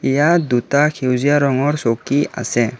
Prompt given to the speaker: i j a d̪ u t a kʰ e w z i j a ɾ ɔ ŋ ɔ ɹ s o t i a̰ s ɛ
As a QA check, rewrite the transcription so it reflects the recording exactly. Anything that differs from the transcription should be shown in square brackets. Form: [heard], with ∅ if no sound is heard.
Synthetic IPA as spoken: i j a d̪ u t a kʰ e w z i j a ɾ ɔ ŋ ɔ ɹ s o [k] i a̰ s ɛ